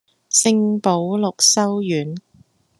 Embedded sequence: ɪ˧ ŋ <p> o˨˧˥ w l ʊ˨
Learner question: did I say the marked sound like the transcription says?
yes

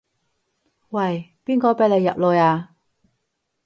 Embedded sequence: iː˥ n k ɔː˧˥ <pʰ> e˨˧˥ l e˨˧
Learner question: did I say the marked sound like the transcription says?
no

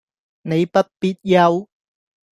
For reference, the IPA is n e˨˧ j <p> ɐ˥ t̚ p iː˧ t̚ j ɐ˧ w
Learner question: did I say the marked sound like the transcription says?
yes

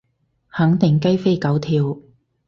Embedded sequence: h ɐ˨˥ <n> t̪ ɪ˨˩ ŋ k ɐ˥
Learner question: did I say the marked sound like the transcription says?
no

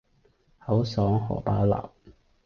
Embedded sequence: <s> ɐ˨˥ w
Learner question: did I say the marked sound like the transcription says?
no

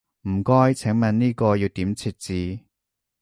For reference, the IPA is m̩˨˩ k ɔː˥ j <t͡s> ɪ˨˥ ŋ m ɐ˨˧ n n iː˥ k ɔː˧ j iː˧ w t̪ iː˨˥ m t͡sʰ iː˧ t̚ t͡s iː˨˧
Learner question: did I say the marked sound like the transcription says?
no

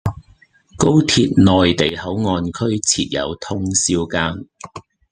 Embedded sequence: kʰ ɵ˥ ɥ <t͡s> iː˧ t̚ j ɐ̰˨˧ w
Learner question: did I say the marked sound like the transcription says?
no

